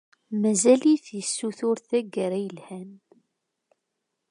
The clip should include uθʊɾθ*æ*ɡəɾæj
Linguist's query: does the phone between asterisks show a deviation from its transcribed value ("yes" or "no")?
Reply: no